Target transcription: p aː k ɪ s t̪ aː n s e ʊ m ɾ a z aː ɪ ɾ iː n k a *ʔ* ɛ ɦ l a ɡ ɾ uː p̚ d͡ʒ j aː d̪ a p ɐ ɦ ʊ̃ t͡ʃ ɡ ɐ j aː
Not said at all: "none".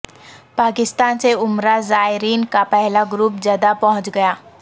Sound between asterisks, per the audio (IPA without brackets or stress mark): p